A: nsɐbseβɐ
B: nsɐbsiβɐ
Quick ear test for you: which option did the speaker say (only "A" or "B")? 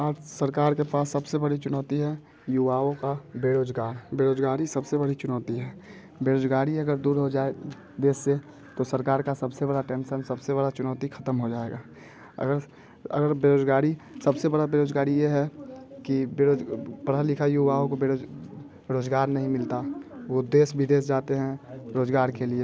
A